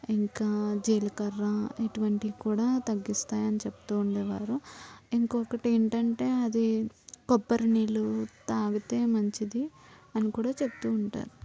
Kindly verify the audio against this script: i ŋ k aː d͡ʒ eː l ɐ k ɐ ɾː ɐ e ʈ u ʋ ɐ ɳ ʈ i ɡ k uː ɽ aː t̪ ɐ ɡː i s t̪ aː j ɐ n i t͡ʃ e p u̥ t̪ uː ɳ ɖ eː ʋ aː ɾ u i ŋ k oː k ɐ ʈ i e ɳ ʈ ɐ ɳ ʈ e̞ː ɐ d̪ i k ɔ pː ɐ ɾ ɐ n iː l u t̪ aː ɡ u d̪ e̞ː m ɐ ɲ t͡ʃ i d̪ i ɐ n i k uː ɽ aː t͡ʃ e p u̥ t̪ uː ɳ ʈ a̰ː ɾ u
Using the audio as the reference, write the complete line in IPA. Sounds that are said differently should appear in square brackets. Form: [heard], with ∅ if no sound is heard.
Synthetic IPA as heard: i ŋ k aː d͡ʒ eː l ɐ k ɐ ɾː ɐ e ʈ u ʋ ɐ ɳ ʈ i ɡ k uː ɽ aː t̪ ɐ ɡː i s t̪ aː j ɐ n i t͡ʃ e p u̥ t̪ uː ɳ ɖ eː ʋ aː ɾ u i ŋ k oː k ɐ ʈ i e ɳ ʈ ɐ ɳ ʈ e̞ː ɐ d̪ i k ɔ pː ɐ ɾ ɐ n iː l u t̪ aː ɡ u [t̪] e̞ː m ɐ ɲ t͡ʃ i d̪ i ɐ n i k uː ɽ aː t͡ʃ e p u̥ t̪ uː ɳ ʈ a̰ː ɾ u